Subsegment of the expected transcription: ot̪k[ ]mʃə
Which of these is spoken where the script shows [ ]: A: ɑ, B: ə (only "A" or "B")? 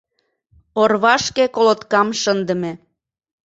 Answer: A